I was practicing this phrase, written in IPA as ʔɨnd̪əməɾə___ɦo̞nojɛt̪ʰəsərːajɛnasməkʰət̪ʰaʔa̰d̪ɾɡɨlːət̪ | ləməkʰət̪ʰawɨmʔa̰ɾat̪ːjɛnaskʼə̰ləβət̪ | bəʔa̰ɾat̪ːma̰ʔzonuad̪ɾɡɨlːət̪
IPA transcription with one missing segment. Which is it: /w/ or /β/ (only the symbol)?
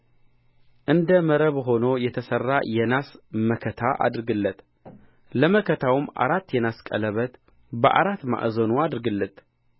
β